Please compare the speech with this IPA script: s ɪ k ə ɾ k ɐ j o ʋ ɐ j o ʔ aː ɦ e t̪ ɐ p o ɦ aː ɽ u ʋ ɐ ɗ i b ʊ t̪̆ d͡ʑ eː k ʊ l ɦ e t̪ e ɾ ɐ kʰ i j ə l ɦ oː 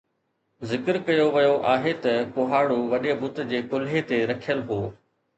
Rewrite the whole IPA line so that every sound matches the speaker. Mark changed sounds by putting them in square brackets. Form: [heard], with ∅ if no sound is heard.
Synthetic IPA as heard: [z] ɪ k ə ɾ k ɐ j o ʋ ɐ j o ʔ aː ɦ e t̪ ɐ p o ɦ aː ɽ u ʋ ɐ ɗ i b ʊ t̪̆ d͡ʑ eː k ʊ l ɦ e t̪ e ɾ ɐ kʰ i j ə l ɦ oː